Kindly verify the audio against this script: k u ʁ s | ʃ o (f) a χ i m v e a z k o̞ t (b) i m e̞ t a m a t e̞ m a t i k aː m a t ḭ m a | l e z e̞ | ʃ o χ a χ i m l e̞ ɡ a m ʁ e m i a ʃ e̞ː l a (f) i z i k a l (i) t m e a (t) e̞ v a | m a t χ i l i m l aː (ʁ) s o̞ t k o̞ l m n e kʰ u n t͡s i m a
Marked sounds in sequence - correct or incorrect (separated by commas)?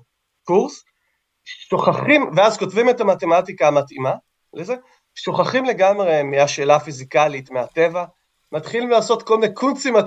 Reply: incorrect, incorrect, correct, correct, correct, incorrect